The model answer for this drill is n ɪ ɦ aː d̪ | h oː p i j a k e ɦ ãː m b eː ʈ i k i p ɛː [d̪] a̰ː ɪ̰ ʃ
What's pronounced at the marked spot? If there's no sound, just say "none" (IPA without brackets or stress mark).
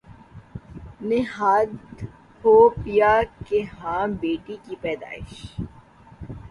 d̪